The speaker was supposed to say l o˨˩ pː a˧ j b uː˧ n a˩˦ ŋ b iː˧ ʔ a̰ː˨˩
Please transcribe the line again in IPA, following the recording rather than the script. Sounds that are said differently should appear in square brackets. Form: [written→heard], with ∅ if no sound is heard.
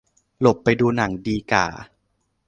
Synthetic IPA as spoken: l o˨˩ pː a˧ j [b→d] uː˧ n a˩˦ ŋ [b→d] iː˧ [ʔ→k] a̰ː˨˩

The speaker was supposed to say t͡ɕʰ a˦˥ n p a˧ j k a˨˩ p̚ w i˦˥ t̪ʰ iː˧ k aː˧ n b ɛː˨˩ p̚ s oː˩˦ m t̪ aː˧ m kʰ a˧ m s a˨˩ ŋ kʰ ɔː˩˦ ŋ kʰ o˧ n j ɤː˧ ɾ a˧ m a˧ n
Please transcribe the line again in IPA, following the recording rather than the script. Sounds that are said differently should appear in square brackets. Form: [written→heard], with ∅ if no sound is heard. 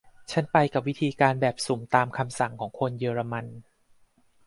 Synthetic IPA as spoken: t͡ɕʰ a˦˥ n p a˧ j k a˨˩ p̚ w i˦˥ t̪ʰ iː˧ k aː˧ n b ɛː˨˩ p̚ s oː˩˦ m t̪ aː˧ m kʰ a˧ m s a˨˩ ŋ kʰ ɔː˩˦ ŋ kʰ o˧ n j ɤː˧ ɾ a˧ m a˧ n

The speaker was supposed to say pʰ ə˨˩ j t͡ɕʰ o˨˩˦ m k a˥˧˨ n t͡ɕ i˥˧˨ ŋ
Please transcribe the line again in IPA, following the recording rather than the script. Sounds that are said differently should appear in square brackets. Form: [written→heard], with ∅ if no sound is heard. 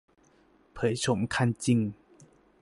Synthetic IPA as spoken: pʰ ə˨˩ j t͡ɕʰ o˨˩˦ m [k→kʰ] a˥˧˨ n t͡ɕ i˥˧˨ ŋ

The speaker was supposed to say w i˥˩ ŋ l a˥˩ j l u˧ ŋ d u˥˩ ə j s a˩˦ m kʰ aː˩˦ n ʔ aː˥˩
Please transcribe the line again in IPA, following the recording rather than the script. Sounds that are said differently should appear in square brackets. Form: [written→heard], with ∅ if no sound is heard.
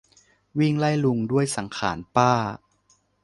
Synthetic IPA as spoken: w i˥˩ ŋ l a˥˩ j l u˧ ŋ d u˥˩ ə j s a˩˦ [m→ŋ] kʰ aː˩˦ n [ʔ→p] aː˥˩

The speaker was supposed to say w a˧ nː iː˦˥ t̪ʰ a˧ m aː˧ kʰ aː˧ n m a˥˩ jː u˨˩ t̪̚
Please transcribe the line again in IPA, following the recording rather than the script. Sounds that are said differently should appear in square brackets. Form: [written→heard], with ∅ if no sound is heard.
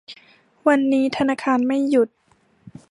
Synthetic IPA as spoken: w a˧ nː iː˦˥ t̪ʰ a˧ [m→n] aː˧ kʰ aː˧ n m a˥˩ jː u˨˩ t̪̚

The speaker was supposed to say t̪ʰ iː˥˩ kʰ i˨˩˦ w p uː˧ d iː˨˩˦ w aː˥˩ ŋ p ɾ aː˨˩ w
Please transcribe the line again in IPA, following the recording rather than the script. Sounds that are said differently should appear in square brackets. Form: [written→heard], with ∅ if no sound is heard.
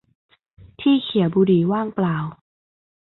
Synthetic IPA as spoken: t̪ʰ iː˥˩ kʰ i˨˩˦ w [p→b] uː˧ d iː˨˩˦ w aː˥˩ ŋ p [ɾ→l] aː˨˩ w

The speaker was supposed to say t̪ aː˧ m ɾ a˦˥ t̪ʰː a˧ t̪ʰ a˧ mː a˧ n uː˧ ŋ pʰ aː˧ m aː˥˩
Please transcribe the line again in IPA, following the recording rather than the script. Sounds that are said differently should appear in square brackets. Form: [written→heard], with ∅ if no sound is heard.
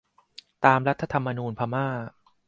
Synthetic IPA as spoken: t̪ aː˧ m ɾ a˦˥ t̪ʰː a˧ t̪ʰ a˧ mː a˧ n uː˧ [ŋ→n] pʰ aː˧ m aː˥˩

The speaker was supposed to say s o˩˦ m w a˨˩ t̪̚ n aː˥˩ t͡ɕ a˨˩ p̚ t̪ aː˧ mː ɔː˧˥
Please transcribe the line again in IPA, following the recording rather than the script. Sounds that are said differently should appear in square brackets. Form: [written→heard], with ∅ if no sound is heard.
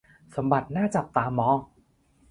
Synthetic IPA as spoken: s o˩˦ m [w→b] a˨˩ t̪̚ n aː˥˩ t͡ɕ a˨˩ p̚ t̪ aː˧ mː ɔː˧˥

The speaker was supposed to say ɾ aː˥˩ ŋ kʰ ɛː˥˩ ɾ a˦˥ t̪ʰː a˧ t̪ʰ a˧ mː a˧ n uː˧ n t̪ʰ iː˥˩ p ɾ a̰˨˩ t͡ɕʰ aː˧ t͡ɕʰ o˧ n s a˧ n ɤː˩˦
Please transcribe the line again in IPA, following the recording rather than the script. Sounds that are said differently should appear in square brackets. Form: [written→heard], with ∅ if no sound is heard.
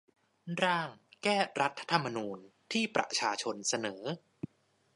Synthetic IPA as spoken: ɾ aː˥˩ ŋ [kʰ→k] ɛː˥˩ ɾ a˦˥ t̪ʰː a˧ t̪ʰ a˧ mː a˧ n uː˧ n t̪ʰ iː˥˩ p ɾ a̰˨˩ t͡ɕʰ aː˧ t͡ɕʰ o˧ n s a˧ n ɤː˩˦

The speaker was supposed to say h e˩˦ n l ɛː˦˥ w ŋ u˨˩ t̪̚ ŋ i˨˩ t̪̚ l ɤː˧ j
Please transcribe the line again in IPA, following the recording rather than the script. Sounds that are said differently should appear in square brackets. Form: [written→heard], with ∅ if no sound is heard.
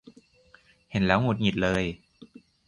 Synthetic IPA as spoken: h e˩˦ n l ɛː˦˥ w ŋ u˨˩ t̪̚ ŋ i˨˩ t̪̚ l ɤː˧ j

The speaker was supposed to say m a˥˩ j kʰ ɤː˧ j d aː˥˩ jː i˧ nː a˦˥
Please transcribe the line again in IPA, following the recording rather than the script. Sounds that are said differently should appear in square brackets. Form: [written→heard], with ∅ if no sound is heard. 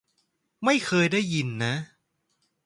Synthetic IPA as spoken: m a˥˩ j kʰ ɤː˧ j d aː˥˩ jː i˧ nː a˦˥

